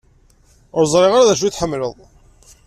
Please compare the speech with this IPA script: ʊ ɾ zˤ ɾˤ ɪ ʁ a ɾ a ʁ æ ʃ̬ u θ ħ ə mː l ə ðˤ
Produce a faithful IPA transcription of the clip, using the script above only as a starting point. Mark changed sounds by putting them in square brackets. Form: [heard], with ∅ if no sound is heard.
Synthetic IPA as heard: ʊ ɾ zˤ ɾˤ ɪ ʁ a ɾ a [ð] æ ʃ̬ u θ ħ ə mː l ə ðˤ